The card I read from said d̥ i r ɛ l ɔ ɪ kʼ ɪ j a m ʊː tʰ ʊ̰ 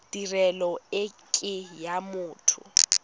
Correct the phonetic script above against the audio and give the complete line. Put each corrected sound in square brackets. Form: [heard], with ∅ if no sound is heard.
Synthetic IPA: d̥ i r ɛ l ɔ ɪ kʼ ɪ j a m ʊː tʰ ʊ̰